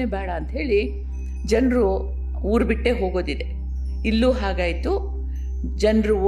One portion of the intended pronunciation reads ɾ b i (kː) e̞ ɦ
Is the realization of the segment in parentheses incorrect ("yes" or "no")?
yes